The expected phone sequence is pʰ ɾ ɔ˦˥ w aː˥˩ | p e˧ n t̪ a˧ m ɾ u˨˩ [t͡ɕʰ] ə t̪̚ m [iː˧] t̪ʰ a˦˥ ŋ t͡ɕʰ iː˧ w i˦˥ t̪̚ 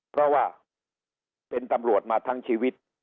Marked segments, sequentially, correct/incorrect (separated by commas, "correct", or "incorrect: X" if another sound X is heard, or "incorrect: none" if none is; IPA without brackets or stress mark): incorrect: none, incorrect: aː˧